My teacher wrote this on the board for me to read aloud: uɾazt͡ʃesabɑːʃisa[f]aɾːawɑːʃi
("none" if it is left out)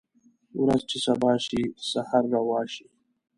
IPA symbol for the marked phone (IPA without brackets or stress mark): h